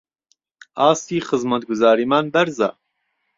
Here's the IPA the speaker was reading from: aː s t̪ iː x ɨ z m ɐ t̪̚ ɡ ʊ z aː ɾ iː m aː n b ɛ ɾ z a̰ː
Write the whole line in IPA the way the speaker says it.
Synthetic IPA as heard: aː s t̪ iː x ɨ z m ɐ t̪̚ ɡ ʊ z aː ɾ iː m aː n b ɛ ɾ z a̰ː